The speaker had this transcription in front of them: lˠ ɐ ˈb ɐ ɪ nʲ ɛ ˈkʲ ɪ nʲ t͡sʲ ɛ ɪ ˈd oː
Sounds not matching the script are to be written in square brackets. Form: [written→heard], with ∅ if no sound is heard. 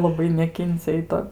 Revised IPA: lˠ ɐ ˈb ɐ ɪ nʲ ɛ ˈkʲ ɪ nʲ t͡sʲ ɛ ɪ [ˈd→ˈt] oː